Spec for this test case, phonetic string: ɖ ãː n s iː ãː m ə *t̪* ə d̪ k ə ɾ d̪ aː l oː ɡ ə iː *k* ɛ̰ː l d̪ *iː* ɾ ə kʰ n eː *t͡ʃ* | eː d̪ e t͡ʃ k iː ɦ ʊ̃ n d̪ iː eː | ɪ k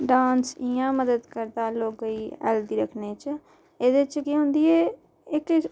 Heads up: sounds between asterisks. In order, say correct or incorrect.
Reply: incorrect: d̪, incorrect: none, correct, correct

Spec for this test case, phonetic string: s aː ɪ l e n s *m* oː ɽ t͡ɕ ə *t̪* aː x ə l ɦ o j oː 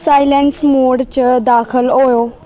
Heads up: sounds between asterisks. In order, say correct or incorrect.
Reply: correct, incorrect: d̪

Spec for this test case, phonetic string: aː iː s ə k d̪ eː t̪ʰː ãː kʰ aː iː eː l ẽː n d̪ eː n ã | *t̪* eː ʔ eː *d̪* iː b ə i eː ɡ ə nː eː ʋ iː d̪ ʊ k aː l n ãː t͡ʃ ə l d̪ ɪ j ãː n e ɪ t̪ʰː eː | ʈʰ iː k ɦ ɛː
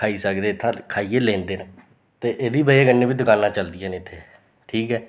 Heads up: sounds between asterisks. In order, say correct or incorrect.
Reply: correct, correct

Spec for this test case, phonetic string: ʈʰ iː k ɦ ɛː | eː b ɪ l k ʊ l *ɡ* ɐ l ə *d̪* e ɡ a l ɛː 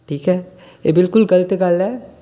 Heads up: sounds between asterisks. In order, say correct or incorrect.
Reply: correct, incorrect: t̪

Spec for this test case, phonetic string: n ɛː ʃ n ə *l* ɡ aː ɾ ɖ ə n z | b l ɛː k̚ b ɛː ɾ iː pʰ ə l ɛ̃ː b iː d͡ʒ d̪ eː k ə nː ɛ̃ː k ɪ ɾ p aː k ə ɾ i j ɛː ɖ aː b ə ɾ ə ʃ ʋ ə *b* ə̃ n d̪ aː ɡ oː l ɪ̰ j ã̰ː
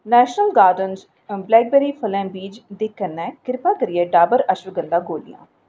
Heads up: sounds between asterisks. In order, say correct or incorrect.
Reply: correct, incorrect: ɡ

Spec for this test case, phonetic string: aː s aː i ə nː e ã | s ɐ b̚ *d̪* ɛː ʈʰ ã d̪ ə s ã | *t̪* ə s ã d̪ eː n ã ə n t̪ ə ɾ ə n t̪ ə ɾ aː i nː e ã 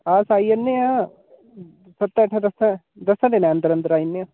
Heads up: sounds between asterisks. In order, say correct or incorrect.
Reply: incorrect: t̪, incorrect: d̪

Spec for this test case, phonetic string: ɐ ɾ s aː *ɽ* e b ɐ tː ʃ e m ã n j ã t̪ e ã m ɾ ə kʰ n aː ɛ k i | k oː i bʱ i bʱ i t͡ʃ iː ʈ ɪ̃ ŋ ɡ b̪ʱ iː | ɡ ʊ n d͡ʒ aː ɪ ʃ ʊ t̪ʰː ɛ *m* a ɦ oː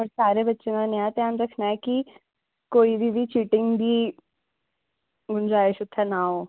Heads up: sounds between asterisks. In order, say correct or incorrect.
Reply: incorrect: ɾ, incorrect: n

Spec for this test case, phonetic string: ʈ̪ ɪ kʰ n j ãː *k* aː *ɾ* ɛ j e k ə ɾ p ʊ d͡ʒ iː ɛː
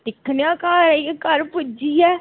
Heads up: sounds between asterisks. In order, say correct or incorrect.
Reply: correct, correct

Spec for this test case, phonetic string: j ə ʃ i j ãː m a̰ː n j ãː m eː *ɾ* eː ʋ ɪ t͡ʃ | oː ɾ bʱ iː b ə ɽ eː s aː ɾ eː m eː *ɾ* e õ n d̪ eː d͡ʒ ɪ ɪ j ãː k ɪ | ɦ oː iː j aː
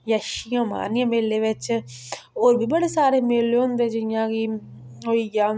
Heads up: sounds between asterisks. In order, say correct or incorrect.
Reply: incorrect: l, incorrect: l

